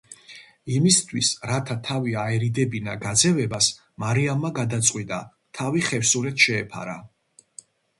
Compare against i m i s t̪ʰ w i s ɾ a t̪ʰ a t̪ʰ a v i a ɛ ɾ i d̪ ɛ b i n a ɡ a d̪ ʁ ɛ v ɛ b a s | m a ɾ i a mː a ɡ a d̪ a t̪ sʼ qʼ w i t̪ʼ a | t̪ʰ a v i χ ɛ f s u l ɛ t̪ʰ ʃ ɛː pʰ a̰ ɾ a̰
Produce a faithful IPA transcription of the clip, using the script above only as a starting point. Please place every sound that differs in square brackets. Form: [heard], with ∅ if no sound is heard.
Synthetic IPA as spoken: i m i s t̪ʰ w i s ɾ a t̪ʰ a t̪ʰ a v i a ɛ ɾ i d̪ ɛ b i n a ɡ a d̪ [z] ɛ v ɛ b a s | m a ɾ i a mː a ɡ a d̪ a t̪ sʼ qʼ w i t̪ʼ a | t̪ʰ a v i χ ɛ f s u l ɛ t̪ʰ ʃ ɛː pʰ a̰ ɾ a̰

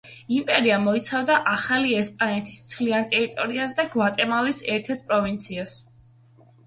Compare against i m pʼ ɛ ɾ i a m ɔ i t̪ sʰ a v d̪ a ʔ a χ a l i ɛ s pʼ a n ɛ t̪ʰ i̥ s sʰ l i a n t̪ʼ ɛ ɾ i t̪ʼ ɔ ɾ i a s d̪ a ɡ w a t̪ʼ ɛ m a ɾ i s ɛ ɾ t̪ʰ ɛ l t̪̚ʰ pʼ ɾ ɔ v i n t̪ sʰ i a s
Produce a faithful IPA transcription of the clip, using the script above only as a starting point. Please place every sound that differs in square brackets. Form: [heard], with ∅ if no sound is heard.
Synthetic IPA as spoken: i m pʼ ɛ ɾ i a m ɔ i t̪ sʰ a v d̪ a ʔ a χ a l i ɛ s pʼ a n ɛ t̪ʰ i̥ s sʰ l i a n t̪ʼ ɛ ɾ i t̪ʼ ɔ ɾ i a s d̪ a ɡ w a t̪ʼ ɛ m a [l] i s ɛ ɾ t̪ʰ ɛ [ɾ] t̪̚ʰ pʼ ɾ ɔ v i n t̪ sʰ i a s

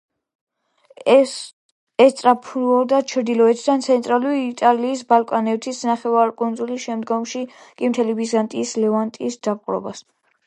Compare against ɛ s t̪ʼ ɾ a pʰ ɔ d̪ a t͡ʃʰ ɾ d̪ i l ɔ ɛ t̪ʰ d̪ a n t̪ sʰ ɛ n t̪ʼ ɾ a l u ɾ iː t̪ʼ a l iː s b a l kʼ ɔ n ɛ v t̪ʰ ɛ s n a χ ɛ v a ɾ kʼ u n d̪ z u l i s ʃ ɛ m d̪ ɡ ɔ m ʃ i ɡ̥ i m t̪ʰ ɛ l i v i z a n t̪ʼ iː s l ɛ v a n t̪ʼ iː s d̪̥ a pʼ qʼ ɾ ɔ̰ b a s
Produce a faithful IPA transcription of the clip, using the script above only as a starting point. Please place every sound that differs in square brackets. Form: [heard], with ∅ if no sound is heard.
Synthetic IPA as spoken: ɛ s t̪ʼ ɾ a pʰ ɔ d̪ a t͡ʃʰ ɾ d̪ i l ɔ ɛ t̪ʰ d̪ a n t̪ sʰ ɛ n t̪ʼ ɾ a l u ɾ iː t̪ʼ a l iː s b a l kʼ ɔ n ɛ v t̪ʰ [i] s n a χ ɛ v a ɾ kʼ u n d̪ z u l i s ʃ ɛ m d̪ ɡ ɔ m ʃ i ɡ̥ i m t̪ʰ ɛ l i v i z a n t̪ʼ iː s l ɛ v a n t̪ʼ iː s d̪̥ a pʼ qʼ ɾ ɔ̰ b a s

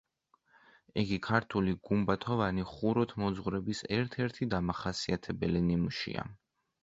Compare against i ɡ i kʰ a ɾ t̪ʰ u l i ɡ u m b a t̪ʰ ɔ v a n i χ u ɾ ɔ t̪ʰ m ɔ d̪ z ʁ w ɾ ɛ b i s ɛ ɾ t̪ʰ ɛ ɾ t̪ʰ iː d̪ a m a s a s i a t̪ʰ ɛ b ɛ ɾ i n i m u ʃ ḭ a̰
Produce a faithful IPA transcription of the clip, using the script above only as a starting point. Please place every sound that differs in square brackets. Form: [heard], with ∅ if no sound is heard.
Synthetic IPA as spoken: i ɡ i kʰ a ɾ t̪ʰ u l i ɡ u m b a t̪ʰ ɔ v a n i χ u ɾ ɔ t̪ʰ m ɔ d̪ z ʁ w ɾ ɛ b i s ɛ ɾ t̪ʰ ɛ ɾ t̪ʰ [i] d̪ a m a [χ] a s i a t̪ʰ ɛ b ɛ [l] i n i m u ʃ ḭ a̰

